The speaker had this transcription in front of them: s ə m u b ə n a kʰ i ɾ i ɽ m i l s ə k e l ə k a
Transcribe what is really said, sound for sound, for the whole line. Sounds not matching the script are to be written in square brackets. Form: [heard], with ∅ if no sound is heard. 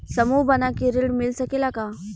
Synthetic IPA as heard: s ə m u b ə n a [k] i ɾ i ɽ m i l s ə k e l [a] k a